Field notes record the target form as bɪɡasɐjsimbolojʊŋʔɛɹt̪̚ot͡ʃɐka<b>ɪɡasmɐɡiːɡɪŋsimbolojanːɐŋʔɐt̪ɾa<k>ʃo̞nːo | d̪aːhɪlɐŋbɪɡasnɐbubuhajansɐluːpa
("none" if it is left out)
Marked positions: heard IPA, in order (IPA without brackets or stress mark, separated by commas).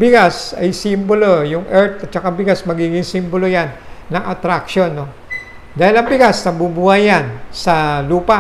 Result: b, k